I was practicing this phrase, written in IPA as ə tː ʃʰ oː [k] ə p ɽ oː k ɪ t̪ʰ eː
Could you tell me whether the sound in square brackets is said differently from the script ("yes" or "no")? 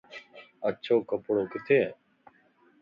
no